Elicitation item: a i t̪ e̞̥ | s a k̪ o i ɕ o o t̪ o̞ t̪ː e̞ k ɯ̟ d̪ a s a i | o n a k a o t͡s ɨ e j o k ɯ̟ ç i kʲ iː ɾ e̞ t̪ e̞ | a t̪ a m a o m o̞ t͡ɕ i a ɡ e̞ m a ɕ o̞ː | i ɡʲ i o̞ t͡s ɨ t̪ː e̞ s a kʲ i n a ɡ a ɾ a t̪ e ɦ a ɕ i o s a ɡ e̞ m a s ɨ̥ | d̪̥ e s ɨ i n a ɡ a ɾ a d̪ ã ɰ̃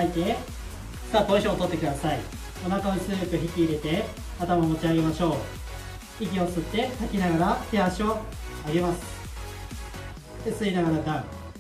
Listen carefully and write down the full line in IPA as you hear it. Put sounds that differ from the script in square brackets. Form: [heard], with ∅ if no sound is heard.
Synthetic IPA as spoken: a i t̪ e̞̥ | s a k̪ o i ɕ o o t̪ o̞ t̪ː e̞ k ɯ̟ d̪ a s a i | o n a k a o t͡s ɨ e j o k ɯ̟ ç i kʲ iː ɾ e̞ t̪ e̞ | a t̪ a m a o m o̞ t͡ɕ i a ɡ e̞ m a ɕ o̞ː | i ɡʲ i o̞ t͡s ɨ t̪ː e̞ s a kʲ i n a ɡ a ɾ a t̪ e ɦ a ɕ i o [∅] a ɡ e̞ m a s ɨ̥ | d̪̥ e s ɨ i n a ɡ a ɾ a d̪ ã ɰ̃